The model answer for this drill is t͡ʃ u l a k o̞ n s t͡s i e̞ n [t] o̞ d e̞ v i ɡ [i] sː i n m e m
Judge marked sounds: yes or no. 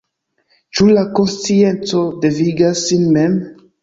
no, no

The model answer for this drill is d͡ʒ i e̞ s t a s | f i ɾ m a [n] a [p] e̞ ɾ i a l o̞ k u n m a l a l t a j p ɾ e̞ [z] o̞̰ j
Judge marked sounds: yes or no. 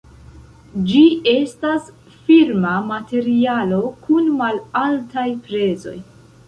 no, no, yes

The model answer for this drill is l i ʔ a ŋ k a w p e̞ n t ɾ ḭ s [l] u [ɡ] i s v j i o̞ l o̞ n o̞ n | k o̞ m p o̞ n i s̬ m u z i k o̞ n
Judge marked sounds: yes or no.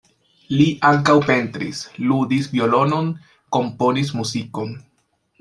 yes, no

